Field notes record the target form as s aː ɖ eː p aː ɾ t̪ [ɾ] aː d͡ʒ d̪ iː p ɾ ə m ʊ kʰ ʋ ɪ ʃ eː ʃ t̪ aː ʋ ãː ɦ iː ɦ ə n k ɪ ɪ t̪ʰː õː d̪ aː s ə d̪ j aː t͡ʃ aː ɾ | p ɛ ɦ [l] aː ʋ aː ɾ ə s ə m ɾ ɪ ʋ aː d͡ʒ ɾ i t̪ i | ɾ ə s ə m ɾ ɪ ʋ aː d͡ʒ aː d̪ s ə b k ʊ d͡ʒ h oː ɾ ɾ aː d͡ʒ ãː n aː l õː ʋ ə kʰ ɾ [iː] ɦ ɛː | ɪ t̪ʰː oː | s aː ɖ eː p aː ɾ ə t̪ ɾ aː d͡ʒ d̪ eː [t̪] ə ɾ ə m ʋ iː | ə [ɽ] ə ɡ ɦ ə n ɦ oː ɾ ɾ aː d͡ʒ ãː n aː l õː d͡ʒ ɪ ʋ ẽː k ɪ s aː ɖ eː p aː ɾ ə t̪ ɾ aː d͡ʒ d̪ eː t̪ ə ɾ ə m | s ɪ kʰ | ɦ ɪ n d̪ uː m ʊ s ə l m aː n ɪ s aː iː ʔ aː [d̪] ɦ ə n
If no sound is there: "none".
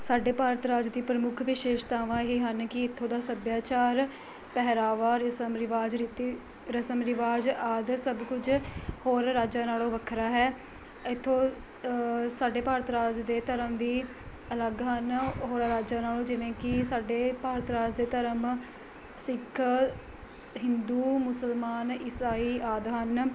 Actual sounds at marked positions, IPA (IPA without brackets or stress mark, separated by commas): ɾ, ɾ, aː, t̪, l, d̪